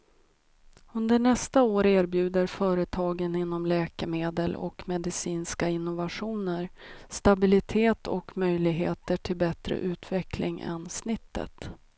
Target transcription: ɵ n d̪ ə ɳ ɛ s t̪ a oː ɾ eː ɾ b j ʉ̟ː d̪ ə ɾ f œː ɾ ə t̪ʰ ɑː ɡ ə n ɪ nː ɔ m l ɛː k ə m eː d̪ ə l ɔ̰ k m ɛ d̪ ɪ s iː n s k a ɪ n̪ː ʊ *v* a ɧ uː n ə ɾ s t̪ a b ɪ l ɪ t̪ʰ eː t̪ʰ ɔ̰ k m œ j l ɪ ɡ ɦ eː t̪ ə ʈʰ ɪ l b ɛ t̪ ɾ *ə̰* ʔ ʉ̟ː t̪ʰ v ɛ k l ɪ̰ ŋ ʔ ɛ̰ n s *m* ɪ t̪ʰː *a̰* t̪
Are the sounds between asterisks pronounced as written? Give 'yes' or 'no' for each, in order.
yes, yes, no, no

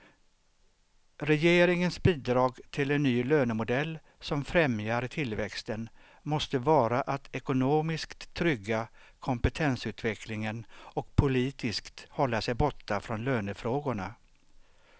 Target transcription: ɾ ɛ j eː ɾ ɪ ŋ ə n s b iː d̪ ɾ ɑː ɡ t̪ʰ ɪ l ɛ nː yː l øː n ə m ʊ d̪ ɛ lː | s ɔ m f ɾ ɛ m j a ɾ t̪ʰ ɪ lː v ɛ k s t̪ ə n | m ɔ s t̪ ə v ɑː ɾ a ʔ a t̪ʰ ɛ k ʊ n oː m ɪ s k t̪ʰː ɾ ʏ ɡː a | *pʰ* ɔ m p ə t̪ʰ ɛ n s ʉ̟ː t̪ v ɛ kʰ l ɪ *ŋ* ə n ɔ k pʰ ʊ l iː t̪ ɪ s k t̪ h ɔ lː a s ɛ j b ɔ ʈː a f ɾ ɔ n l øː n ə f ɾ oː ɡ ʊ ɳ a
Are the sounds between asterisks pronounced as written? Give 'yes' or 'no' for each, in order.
no, yes

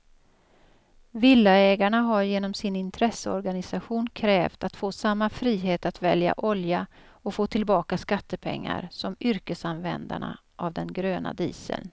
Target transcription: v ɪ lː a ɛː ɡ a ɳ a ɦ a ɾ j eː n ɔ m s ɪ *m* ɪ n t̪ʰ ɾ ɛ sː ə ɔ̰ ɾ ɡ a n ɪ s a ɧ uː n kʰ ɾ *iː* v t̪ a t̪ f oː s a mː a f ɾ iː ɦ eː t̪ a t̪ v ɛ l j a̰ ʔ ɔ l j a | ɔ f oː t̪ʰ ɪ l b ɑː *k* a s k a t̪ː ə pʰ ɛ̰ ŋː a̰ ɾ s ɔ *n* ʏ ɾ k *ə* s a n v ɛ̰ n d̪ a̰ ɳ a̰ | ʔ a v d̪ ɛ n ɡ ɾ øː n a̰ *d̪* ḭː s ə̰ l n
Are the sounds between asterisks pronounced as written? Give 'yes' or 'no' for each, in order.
no, no, yes, no, yes, yes

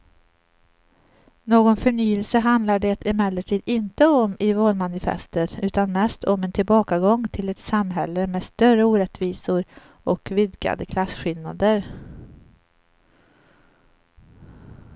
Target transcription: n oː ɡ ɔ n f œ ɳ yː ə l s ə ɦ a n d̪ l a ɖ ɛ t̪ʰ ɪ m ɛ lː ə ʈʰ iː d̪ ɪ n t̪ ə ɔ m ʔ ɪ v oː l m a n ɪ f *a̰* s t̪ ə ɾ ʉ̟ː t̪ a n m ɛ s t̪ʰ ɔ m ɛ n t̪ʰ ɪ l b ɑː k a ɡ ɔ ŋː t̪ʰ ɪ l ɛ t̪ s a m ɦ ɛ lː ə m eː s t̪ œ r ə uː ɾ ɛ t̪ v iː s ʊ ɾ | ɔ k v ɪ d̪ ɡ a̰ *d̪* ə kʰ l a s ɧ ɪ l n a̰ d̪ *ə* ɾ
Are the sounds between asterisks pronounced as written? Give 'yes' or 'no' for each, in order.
no, yes, yes

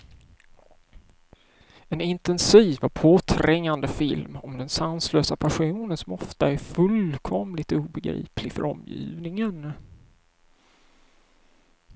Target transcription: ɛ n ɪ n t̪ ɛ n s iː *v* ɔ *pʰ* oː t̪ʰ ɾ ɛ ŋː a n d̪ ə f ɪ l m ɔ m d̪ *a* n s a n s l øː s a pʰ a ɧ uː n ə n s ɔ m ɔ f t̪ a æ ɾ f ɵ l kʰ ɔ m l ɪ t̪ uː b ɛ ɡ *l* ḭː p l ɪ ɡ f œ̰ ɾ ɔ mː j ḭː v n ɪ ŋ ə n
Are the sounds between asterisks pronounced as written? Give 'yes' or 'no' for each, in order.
yes, yes, no, no

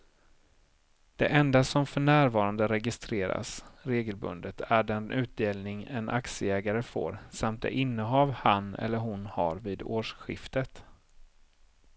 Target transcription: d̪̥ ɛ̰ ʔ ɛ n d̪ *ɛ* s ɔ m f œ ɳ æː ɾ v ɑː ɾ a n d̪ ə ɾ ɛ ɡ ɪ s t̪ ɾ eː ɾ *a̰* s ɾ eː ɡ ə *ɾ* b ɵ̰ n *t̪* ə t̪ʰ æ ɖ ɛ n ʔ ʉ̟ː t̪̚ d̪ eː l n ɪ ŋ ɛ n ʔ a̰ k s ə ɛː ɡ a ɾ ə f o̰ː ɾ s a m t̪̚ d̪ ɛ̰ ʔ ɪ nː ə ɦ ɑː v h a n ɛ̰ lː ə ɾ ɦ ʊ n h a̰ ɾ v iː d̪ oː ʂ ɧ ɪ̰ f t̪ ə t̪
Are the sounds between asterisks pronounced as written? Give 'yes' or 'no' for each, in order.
no, yes, no, no

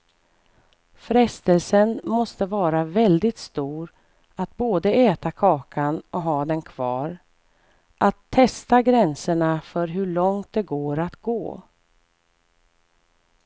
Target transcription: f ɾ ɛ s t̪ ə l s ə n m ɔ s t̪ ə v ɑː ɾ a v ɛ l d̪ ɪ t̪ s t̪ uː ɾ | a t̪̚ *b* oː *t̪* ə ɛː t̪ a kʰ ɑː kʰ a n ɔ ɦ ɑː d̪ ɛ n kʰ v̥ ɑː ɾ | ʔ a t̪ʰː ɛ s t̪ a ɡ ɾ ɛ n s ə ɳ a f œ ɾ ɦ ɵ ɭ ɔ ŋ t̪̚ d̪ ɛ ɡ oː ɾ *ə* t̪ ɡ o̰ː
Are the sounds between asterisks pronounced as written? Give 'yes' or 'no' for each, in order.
yes, no, no

